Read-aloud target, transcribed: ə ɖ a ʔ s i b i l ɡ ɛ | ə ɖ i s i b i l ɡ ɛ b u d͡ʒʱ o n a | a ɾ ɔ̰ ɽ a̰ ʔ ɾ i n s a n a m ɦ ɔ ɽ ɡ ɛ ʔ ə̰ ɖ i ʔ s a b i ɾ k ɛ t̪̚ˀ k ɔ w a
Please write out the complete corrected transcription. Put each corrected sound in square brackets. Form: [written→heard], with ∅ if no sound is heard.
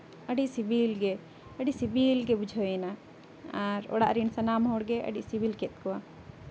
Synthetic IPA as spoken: ə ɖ [a→i] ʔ s i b i l ɡ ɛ | ə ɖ i s i b i l ɡ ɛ b u d͡ʒʱ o n a | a ɾ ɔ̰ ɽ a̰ ʔ ɾ i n s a n a m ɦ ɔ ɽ ɡ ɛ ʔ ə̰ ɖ i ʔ s [a→i] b i [ɾ→l] k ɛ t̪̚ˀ k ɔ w a